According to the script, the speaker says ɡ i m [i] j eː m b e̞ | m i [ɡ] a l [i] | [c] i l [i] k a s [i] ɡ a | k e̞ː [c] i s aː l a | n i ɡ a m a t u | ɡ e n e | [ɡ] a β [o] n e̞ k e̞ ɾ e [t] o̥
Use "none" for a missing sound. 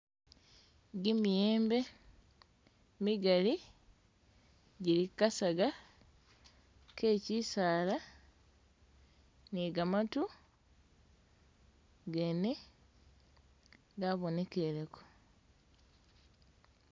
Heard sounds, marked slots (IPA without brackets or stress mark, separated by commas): i, ɡ, i, ɟ, i, a, c, ɡ, o, k